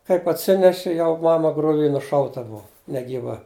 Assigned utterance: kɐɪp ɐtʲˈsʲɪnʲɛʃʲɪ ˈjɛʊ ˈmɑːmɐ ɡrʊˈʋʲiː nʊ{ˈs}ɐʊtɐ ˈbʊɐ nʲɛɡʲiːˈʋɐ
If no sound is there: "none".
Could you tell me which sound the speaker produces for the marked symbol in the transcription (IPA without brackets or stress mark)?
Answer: ʃ